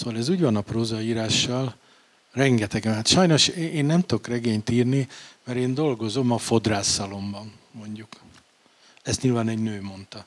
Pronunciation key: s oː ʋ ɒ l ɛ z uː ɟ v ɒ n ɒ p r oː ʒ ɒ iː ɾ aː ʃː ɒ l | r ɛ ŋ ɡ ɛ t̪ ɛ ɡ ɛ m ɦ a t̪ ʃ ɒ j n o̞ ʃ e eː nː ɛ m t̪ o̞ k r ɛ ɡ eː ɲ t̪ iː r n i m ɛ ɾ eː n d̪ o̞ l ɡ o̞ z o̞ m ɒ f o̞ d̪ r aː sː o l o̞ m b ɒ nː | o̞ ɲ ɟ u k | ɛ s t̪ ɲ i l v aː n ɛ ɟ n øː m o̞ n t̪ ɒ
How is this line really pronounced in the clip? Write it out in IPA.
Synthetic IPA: s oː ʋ ɒ l ɛ z uː ɟ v ɒ n ɒ p r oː z ɒ iː ɾ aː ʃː ɒ l | r ɛ ŋ ɡ ɛ t̪ ɛ ɡ ɛ m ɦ a t̪ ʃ ɒ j n o̞ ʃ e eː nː ɛ m t̪ o̞ k r ɛ ɡ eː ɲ t̪ iː r n i m ɛ ɾ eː n d̪ o̞ l ɡ o̞ z o̞ m ɒ f o̞ d̪ r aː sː ɒ l o̞ m b ɒ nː | o̞ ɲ ɟ u k | ɛ s t̪ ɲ i l v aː n ɛ ɟ n øː m o̞ n t̪ ɒ